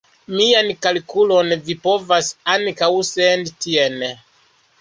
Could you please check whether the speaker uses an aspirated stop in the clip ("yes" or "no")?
no